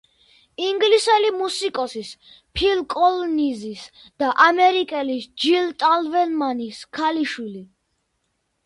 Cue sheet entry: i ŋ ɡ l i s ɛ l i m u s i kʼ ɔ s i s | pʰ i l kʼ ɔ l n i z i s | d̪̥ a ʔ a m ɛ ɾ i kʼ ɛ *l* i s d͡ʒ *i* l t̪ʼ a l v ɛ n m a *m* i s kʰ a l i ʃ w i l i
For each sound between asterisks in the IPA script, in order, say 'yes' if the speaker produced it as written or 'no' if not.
yes, yes, no

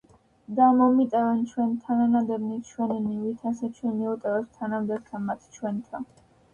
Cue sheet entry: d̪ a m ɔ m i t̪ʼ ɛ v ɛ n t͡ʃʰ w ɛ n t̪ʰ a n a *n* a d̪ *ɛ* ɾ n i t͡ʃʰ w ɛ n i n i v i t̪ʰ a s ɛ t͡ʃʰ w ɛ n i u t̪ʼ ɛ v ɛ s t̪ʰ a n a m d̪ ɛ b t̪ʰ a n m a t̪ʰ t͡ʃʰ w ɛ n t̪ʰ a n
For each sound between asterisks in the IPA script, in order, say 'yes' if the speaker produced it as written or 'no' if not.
yes, yes

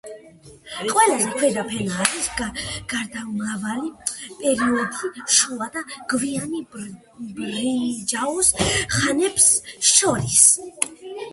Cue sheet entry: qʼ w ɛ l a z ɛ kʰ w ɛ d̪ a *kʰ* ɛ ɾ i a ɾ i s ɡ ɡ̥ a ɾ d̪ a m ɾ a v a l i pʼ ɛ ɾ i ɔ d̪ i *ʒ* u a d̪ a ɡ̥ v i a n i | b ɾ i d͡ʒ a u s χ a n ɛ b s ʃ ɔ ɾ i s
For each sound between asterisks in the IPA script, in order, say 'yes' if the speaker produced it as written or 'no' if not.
no, no

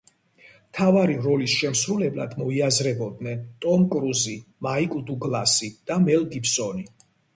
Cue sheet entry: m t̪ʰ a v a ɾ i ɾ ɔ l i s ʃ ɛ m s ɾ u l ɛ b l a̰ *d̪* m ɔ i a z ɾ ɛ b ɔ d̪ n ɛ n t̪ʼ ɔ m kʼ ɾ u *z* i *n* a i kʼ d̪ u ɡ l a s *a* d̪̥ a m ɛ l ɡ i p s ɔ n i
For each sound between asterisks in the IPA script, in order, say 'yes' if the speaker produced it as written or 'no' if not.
yes, yes, no, no

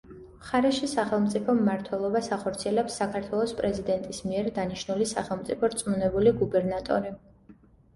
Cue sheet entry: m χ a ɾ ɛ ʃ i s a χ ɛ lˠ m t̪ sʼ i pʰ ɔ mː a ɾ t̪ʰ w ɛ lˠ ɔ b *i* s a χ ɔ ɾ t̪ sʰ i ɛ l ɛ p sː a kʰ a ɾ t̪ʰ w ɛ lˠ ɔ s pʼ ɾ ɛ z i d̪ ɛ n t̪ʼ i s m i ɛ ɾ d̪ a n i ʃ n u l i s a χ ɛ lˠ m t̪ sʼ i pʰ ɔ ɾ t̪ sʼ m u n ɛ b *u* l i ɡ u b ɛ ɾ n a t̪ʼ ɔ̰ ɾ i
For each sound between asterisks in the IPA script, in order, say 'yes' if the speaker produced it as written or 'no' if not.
no, yes

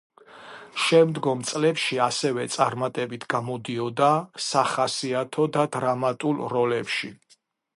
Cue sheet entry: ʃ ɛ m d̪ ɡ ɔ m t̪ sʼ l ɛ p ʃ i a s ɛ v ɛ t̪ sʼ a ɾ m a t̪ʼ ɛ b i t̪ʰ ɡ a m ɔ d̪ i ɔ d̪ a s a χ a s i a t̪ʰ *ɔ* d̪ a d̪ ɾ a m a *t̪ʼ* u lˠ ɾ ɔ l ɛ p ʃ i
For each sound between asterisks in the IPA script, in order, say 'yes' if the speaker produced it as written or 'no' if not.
yes, yes

